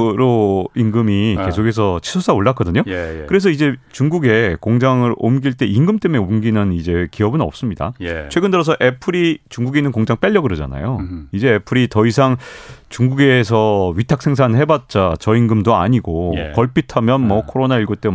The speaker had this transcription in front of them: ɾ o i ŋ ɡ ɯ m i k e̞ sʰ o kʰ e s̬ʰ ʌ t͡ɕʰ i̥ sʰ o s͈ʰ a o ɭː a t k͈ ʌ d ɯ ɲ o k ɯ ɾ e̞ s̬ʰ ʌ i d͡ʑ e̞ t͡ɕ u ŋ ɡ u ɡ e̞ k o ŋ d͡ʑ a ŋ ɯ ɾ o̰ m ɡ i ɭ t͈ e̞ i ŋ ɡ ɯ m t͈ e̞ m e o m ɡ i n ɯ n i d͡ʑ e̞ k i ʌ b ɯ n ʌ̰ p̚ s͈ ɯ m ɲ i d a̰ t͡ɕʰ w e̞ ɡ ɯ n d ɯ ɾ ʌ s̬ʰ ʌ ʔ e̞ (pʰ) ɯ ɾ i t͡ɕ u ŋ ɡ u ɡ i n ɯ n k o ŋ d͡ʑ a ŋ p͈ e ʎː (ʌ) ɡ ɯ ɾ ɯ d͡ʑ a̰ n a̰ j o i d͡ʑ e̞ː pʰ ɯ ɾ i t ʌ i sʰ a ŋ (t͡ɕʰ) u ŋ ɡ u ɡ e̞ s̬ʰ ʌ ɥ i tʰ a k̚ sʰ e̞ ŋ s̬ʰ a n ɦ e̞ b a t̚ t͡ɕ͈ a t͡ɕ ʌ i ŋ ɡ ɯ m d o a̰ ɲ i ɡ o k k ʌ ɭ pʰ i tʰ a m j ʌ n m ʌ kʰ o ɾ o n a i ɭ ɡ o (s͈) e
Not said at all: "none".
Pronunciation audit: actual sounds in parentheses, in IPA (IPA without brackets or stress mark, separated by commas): pʰ, ʌ, t͡ɕ, t͈